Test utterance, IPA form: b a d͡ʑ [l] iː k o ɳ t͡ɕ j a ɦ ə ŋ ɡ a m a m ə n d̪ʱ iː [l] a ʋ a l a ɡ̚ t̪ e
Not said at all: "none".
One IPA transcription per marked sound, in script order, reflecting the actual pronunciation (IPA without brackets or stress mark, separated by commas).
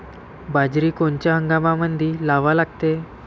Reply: ɾ, l